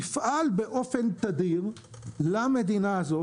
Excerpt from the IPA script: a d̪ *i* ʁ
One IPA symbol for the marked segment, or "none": i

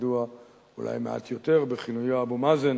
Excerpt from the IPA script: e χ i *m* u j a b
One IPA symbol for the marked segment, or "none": n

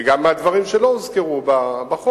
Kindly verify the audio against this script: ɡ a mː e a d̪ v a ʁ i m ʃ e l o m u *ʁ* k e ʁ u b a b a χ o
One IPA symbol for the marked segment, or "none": z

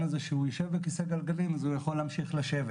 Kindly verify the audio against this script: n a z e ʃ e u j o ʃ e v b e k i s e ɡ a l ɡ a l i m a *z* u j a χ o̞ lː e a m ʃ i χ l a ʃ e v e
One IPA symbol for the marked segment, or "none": z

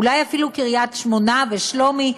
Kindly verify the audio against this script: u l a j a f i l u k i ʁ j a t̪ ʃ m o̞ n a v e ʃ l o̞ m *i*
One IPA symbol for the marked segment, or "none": i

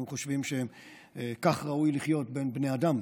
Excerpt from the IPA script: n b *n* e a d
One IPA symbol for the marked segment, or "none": n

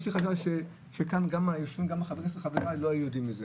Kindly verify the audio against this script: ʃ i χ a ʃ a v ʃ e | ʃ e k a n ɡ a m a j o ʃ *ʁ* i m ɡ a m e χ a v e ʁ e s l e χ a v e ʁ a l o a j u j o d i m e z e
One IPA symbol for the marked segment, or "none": v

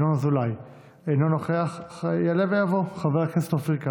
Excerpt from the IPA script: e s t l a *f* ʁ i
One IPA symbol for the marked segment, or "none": f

